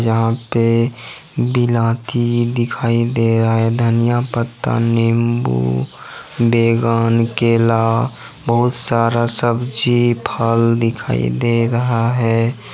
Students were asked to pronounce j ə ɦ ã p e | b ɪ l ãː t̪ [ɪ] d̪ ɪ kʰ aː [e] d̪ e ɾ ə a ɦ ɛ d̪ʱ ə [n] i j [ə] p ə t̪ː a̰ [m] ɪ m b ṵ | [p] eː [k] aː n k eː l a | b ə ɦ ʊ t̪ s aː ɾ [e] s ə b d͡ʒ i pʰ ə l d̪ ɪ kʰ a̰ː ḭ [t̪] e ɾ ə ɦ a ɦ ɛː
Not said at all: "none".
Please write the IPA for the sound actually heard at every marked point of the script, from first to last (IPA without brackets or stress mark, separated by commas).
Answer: i, i, n, a, n, b, ɡ, a, d̪